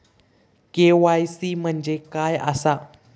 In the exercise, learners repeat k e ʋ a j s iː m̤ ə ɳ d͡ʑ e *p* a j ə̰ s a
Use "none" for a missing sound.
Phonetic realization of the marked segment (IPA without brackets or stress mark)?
k